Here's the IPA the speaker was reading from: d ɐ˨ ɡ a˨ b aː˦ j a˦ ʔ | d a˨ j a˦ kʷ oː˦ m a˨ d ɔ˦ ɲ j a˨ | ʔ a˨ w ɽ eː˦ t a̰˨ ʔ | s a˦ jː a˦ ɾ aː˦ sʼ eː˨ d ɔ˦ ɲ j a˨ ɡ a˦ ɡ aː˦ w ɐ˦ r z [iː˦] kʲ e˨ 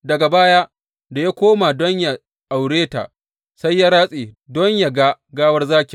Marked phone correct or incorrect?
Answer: incorrect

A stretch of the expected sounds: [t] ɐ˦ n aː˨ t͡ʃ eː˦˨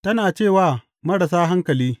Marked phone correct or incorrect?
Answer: correct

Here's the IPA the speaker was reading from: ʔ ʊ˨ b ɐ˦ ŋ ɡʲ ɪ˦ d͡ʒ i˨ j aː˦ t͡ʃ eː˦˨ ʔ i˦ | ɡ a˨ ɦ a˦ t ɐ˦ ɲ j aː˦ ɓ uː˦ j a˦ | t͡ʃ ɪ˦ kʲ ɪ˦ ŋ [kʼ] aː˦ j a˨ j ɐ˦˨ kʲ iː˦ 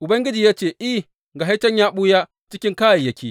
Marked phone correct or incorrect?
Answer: incorrect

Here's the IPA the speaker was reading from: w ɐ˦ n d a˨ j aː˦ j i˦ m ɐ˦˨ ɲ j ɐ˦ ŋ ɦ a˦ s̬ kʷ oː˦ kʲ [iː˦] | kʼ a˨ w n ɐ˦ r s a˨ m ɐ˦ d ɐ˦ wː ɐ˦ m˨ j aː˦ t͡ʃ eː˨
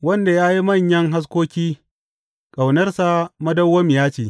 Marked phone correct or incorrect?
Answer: correct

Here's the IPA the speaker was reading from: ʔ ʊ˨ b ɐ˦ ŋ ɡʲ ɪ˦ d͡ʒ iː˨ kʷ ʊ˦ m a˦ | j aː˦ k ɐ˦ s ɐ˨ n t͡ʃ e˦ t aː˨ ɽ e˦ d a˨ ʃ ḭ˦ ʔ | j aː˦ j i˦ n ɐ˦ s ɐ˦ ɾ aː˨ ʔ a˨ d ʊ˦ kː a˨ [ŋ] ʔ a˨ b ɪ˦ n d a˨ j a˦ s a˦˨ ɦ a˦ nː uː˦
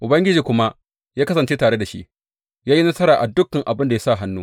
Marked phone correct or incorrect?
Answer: correct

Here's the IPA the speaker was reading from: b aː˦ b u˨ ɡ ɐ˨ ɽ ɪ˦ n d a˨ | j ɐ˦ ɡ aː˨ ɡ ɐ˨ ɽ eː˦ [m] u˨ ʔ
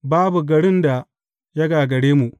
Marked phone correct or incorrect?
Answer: correct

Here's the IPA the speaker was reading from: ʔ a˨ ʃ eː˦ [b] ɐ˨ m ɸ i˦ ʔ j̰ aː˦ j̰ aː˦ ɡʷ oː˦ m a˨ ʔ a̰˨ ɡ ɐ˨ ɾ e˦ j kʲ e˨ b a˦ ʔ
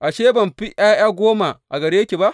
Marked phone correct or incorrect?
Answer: correct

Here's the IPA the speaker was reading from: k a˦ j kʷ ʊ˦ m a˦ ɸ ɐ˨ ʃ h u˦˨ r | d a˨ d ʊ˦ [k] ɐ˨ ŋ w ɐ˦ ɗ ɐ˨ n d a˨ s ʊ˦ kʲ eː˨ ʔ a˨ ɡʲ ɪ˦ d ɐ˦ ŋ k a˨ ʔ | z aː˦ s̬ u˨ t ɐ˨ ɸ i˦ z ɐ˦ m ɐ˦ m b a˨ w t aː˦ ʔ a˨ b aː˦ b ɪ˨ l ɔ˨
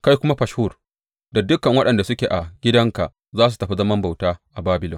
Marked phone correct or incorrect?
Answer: correct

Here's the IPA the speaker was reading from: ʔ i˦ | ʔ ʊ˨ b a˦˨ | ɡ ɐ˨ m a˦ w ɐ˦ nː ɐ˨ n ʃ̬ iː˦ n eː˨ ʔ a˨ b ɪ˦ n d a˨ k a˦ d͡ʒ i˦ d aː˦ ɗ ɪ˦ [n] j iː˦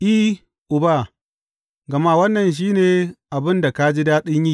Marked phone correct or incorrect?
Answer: incorrect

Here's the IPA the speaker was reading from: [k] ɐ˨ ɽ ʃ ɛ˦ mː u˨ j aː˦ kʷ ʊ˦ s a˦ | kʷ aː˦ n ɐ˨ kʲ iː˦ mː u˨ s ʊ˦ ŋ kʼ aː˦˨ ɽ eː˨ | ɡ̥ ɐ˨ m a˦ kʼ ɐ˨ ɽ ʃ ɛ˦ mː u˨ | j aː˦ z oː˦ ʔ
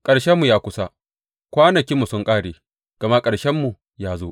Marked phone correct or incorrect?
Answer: incorrect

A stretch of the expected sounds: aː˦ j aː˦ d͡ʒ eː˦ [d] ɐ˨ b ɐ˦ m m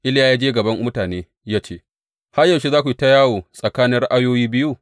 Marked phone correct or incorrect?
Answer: incorrect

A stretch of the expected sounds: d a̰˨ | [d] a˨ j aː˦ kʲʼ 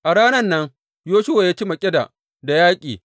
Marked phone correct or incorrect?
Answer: correct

